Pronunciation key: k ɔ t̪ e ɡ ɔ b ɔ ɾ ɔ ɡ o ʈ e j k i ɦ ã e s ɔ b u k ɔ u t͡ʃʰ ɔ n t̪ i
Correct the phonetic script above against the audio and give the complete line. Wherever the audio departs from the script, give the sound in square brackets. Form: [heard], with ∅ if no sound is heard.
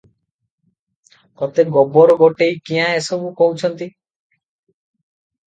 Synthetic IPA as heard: k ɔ t̪ e ɡ ɔ b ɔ ɾ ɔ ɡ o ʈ e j k i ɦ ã e s ɔ b u k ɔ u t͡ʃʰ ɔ n t̪ i